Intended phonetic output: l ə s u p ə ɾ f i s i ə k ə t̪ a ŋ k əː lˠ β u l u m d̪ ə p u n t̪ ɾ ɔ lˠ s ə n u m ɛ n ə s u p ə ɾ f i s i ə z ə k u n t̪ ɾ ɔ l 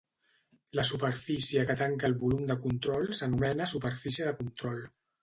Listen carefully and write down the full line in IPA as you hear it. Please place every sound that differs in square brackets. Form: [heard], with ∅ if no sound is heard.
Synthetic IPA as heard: l ə s u p ə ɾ f i s i ə k ə t̪ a ŋ k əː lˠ β u l u m d̪ ə [k] u n t̪ ɾ ɔ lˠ s ə n u m ɛ n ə s u p ə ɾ f i s i ə [ð] ə k u n t̪ ɾ ɔ l